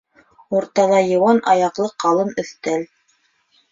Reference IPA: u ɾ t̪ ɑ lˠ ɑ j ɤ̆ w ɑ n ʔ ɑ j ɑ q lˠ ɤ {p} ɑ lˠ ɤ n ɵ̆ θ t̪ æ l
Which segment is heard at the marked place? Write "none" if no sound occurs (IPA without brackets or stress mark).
q